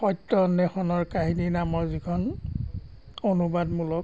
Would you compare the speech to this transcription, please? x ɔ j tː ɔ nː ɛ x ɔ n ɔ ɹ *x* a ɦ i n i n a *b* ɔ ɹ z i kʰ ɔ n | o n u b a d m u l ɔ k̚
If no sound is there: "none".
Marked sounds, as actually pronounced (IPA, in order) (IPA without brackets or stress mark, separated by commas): k, m